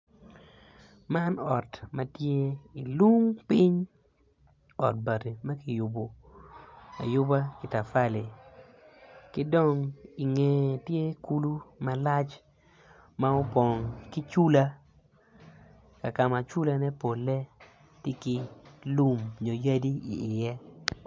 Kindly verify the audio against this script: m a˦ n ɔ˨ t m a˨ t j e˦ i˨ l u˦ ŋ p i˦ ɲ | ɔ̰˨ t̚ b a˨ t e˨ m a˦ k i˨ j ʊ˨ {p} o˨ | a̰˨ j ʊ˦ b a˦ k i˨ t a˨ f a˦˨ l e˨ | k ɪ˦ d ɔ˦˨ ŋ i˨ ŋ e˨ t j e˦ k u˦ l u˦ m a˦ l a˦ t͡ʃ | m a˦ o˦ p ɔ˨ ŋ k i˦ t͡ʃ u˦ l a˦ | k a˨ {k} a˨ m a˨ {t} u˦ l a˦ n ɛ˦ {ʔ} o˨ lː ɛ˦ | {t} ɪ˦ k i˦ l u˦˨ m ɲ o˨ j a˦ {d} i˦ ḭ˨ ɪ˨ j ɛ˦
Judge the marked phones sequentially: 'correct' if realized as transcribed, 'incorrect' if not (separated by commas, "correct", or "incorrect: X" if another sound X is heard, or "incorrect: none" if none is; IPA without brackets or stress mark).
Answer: incorrect: b, correct, incorrect: t͡ʃ, incorrect: p, correct, correct